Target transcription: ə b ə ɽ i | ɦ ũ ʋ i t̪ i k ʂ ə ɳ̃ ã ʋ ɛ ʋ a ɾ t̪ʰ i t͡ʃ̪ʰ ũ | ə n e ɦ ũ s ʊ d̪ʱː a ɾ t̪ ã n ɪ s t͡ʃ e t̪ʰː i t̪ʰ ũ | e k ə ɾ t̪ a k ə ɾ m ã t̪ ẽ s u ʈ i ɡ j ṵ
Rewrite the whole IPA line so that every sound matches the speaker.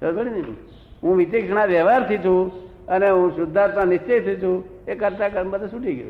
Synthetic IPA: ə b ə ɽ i | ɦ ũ ʋ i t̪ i k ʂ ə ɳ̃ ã ʋ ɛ ʋ a ɾ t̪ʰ i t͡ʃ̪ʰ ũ | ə n e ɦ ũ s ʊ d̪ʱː a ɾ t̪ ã n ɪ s t͡ʃ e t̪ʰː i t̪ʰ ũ | e k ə ɾ t̪ a k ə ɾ m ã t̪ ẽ s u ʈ i ɡ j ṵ